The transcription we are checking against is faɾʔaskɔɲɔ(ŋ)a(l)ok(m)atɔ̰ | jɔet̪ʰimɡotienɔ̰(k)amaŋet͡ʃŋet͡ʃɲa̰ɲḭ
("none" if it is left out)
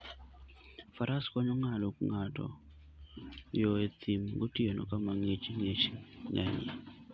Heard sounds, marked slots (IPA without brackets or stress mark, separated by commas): ŋ, l, ŋ, k